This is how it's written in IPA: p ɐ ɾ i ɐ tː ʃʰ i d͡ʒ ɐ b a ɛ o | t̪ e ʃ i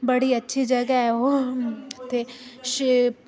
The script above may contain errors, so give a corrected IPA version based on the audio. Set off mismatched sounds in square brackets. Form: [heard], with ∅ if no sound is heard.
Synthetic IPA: [b] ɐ [ɽ] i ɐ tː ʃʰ i d͡ʒ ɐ [ɡ] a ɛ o | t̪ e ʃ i